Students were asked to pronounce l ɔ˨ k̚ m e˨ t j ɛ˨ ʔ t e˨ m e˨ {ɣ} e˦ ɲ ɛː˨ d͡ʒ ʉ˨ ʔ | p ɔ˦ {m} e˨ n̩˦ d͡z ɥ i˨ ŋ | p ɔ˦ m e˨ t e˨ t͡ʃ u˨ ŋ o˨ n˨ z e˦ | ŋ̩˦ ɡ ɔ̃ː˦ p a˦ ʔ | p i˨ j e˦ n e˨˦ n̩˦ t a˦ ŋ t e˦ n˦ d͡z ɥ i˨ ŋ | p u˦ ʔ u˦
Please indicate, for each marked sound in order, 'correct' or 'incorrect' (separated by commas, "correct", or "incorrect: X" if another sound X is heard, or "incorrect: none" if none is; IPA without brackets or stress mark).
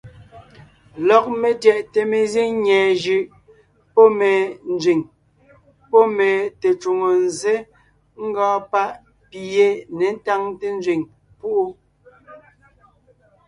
incorrect: z, correct